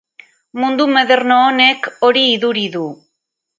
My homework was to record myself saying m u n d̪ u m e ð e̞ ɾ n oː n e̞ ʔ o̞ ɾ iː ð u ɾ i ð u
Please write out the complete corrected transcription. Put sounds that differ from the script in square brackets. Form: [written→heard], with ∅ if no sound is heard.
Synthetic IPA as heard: m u n d̪ u m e ð e̞ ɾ n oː n e̞ [ʔ→k] o̞ ɾ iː ð u ɾ i ð u